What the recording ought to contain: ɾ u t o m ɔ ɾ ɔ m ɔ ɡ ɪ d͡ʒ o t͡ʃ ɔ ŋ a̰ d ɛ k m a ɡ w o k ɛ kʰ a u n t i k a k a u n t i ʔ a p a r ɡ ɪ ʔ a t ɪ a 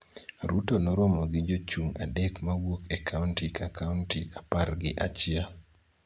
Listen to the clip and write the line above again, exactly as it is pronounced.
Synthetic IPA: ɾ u t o n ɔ ɾ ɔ m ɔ ɡ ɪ d͡ʒ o t͡ʃ u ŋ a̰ d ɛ k m a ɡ w o k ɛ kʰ a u n t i k a k a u n t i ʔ a p a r ɡ ɪ ʔ a t͡ʃ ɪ a